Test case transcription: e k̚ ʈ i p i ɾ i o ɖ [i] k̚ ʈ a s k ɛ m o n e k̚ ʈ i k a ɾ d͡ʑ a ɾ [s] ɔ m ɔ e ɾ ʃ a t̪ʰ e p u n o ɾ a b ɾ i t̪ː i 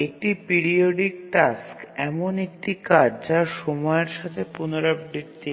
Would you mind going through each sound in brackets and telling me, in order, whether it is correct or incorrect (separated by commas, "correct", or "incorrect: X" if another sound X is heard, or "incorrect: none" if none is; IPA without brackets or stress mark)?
correct, incorrect: ʃ